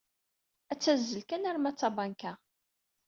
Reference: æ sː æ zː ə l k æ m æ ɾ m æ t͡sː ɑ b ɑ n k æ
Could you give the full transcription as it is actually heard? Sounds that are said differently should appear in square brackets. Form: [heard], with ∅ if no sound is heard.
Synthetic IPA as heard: æ [t͡sː] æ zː ə l k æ [n] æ ɾ m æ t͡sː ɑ b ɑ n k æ